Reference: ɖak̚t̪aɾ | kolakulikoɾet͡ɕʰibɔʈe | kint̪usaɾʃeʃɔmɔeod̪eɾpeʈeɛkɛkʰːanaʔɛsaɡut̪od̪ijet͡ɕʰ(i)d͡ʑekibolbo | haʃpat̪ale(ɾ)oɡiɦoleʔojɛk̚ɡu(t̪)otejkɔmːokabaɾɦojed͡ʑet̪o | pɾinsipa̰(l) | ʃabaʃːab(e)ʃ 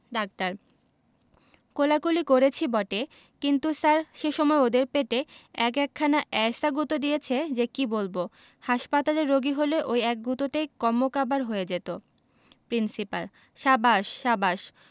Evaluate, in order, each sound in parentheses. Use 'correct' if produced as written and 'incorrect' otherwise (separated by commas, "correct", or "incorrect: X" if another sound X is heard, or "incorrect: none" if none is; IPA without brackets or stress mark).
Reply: incorrect: e, incorrect: ɾː, correct, correct, incorrect: a